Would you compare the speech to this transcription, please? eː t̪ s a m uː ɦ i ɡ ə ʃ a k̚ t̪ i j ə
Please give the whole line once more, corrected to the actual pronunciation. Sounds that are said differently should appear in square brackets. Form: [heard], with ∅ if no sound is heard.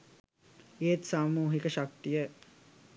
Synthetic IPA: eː t̪ s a m uː ɦ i [k] ə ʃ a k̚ t̪ i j ə